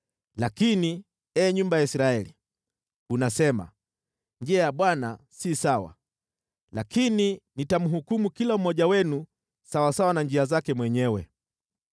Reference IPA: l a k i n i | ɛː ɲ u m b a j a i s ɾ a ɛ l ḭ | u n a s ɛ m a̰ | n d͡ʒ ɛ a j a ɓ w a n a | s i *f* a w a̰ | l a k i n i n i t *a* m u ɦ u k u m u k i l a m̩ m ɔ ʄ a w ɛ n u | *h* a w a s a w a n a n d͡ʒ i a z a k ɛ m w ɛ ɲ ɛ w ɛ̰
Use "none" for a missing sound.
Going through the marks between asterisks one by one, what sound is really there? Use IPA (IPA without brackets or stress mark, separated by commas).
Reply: s, a, s